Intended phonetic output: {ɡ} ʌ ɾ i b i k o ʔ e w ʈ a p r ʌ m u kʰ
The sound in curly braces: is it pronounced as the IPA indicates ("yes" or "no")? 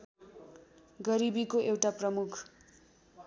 yes